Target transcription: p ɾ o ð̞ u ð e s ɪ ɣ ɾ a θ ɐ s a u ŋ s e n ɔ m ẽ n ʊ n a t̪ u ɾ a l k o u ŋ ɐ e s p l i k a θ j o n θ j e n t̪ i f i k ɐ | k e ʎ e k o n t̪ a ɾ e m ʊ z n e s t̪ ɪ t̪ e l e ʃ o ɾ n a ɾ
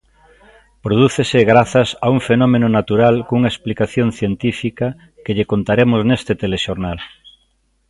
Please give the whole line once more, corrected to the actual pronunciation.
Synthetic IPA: p ɾ o ð̞ u θ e s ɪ ɣ ɾ a θ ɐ s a u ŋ f e n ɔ m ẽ n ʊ n a t̪ u ɾ a l k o u ŋ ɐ e s p l i k a θ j o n θ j e n t̪ i f i k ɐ | k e ʎ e k o n t̪ a ɾ e m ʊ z n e s t̪ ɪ t̪ e l e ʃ o ɾ n a l